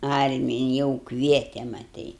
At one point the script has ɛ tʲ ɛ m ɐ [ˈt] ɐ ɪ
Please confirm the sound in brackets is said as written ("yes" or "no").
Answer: yes